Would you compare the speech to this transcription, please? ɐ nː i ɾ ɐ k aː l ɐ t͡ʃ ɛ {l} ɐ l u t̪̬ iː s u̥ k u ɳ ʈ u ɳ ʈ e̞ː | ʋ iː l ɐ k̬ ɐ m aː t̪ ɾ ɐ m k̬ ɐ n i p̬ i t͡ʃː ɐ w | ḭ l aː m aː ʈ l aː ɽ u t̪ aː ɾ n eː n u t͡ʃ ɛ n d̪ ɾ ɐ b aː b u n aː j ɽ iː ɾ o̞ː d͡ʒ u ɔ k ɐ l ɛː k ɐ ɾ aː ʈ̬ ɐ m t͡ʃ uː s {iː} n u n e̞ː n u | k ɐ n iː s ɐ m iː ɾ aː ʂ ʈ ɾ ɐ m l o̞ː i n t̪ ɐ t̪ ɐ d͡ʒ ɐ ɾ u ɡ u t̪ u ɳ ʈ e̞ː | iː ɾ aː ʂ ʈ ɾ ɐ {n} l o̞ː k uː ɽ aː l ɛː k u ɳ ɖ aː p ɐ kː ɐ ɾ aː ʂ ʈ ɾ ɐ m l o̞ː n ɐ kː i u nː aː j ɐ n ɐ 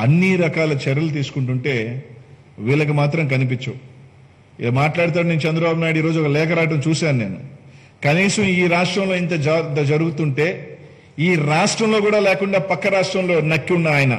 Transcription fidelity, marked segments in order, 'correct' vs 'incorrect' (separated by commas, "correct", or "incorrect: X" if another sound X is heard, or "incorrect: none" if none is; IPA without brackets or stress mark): incorrect: ɾ, incorrect: aː, incorrect: m